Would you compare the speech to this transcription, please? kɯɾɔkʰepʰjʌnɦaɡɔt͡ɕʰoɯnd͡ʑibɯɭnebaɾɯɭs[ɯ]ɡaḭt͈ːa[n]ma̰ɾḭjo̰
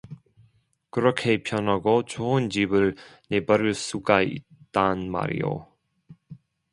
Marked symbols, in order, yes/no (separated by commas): no, yes